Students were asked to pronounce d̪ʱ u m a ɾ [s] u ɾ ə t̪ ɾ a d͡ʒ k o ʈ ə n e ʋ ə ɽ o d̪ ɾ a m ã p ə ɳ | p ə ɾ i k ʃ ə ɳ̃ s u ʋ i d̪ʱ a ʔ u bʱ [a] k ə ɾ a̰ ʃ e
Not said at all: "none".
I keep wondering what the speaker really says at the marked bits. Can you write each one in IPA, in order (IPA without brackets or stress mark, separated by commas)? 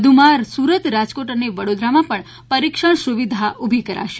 s, i